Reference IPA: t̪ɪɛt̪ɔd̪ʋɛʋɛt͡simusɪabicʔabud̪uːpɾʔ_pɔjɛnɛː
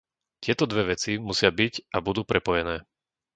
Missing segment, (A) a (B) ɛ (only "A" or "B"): B